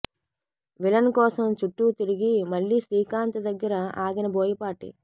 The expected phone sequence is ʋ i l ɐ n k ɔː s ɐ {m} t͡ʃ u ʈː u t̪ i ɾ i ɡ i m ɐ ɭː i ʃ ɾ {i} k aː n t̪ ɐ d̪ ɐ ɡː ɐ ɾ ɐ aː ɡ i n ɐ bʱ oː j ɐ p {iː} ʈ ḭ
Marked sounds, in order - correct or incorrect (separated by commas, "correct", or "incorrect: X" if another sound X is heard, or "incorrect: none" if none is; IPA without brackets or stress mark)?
correct, incorrect: iː, incorrect: aː